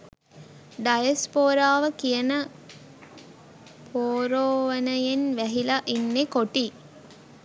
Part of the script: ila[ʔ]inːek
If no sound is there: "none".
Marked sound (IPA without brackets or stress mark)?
ʔ